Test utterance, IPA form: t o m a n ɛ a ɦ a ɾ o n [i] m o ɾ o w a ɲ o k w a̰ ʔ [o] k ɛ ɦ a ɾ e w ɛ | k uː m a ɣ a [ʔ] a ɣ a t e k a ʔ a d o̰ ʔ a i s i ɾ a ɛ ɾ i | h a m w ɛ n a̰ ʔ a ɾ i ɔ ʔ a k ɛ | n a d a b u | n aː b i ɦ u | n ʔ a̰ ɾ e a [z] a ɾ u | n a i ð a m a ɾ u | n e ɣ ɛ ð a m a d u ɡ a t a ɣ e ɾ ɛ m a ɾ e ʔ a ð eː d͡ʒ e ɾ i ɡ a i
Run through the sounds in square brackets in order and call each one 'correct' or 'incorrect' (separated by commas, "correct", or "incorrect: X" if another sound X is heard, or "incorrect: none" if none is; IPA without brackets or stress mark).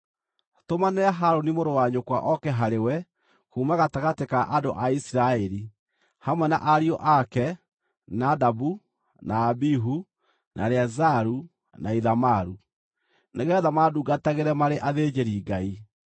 correct, incorrect: ɔ, incorrect: t, correct